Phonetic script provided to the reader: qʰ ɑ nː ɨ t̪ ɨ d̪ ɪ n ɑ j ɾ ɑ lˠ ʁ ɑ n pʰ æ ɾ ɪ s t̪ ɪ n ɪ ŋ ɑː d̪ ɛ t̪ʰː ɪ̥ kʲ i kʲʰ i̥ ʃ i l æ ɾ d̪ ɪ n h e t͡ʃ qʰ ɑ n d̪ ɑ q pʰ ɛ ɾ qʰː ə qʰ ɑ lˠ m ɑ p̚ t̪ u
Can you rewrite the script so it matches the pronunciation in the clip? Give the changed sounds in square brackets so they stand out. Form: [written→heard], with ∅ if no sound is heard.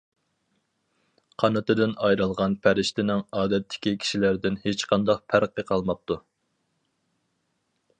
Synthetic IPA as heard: qʰ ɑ [nː→n] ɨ t̪ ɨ d̪ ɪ n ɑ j ɾ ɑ lˠ ʁ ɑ n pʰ æ ɾ ɪ [s→ʃ] t̪ ɪ n ɪ ŋ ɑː d̪ ɛ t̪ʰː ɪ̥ kʲ i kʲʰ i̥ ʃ i l æ ɾ d̪ ɪ n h e t͡ʃ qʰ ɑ n d̪ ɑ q pʰ [ɛ→æ] ɾ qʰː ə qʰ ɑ lˠ m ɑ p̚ t̪ u

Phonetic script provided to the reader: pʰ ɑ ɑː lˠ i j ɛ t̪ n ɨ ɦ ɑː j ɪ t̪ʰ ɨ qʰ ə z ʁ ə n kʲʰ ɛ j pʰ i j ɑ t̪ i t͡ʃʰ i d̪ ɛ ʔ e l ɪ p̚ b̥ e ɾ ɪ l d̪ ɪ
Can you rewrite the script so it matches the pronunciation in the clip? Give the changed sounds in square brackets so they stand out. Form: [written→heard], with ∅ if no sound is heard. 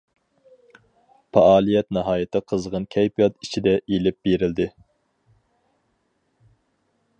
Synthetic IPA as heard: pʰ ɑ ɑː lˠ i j ɛ t̪ n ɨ ɦ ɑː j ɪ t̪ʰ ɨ qʰ ə z ʁ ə n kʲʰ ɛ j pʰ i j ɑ t̪ i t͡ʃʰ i d̪ ɛ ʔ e l ɪ p̚ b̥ e ɾ ɪ l d̪ ɪ

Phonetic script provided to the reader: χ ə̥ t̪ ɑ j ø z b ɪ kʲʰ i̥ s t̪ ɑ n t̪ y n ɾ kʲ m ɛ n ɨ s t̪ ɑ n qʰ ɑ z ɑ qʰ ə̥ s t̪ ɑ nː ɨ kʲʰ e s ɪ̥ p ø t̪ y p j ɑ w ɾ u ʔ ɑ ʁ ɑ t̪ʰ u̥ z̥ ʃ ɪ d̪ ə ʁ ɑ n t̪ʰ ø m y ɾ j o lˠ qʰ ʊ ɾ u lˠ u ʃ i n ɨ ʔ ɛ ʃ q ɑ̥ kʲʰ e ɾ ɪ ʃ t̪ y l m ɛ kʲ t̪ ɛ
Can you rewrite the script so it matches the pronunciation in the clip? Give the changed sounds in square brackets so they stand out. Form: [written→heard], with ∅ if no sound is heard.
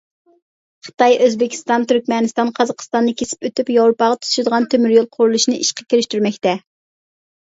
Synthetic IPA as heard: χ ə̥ t̪ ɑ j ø z b ɪ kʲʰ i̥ s t̪ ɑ n t̪ y [n→∅] ɾ kʲ m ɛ n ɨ s t̪ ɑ n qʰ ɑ z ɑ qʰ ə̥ s t̪ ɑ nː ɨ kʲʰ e s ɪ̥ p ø t̪ y p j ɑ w ɾ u [ʔ→p] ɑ ʁ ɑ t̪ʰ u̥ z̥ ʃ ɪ d̪ ə ʁ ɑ n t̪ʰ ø m y ɾ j o lˠ qʰ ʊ ɾ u lˠ u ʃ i n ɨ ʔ [ɛ→i] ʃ q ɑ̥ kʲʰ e ɾ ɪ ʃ t̪ y [l→ɾ] m ɛ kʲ t̪ ɛ

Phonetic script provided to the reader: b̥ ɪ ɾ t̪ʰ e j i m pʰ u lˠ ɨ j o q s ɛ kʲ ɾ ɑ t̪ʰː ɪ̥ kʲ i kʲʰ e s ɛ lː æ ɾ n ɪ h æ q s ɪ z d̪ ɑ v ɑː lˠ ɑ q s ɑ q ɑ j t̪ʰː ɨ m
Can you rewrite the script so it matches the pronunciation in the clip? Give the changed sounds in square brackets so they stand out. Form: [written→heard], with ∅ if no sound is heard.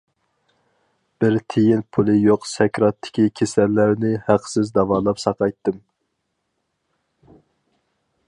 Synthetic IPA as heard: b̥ ɪ ɾ t̪ʰ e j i [m→n] pʰ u lˠ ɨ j o q s ɛ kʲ ɾ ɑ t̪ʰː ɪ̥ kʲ i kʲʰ e s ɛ lː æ ɾ n ɪ h æ q s ɪ z d̪ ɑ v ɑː lˠ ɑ [q→p] s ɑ q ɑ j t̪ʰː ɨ m

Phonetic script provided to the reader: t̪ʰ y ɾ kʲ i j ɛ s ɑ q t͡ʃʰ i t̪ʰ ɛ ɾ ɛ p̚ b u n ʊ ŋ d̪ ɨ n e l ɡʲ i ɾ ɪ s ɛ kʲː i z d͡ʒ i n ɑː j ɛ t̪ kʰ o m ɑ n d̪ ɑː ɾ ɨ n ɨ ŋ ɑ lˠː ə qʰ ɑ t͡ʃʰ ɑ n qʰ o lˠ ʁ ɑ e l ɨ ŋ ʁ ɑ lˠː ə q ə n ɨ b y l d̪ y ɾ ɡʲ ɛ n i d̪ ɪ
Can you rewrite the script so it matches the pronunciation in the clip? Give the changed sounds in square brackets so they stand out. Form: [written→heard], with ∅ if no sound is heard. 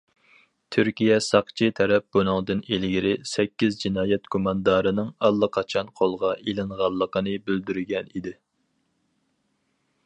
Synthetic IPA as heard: t̪ʰ y ɾ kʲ i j ɛ s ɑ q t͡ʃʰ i t̪ʰ ɛ ɾ ɛ p̚ b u n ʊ ŋ d̪ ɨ n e l ɡʲ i ɾ ɪ s ɛ kʲː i z d͡ʒ i n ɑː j ɛ t̪ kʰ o m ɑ n d̪ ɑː ɾ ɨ n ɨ ŋ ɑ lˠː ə qʰ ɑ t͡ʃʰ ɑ n qʰ o lˠ ʁ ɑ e l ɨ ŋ ʁ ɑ lˠː ə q ə n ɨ b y l d̪ y ɾ ɡʲ ɛ n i d̪ ɪ

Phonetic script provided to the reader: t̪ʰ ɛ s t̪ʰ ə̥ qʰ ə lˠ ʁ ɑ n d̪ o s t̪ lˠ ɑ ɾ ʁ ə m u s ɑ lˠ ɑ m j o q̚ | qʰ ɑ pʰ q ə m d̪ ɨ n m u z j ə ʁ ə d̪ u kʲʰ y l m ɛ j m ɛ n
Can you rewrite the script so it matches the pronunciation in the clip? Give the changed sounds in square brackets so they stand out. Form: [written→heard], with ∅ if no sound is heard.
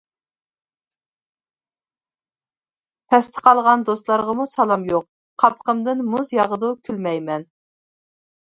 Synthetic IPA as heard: t̪ʰ ɛ s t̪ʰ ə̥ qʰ [ə→ɑ] lˠ ʁ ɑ n d̪ o s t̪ lˠ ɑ ɾ ʁ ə m u s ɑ lˠ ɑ m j o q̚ | qʰ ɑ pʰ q ə m d̪ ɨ n m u z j [ə→ɑ] ʁ ə d̪ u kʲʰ y l m ɛ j m ɛ n

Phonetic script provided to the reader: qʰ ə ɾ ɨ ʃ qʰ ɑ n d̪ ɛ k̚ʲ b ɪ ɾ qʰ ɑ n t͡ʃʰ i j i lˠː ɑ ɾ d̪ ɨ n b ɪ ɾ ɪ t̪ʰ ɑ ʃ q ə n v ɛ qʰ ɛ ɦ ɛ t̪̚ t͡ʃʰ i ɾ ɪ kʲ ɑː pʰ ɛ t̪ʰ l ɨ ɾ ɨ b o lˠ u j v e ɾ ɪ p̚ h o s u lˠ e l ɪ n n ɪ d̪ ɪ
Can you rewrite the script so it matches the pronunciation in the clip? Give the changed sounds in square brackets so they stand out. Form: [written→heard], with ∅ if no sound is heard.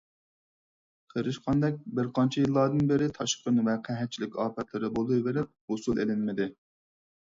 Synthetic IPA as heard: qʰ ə ɾ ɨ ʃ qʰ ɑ n d̪ ɛ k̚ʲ b ɪ ɾ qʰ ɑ n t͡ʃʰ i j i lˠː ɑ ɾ d̪ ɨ n b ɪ ɾ ɪ t̪ʰ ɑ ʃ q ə n v ɛ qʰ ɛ ɦ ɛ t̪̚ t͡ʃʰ i [ɾ→l] ɪ kʲ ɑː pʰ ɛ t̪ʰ l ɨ ɾ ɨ b o lˠ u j v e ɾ ɪ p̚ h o s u lˠ e l ɪ n [n→m] ɪ d̪ ɪ

